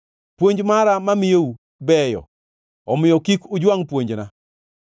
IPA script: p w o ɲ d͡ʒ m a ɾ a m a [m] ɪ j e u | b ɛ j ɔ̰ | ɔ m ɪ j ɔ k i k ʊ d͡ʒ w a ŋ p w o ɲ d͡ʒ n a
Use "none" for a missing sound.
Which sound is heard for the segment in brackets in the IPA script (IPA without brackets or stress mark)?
m